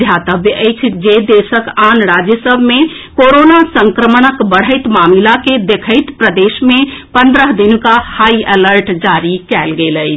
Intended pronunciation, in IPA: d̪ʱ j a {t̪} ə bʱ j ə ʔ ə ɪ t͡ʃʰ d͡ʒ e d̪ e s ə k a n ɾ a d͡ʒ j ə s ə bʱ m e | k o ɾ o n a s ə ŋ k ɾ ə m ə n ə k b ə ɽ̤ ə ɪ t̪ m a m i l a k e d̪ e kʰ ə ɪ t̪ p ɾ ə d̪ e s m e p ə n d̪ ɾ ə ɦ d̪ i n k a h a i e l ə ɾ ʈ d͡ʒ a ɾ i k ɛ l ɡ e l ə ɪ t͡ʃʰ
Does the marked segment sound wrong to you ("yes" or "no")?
no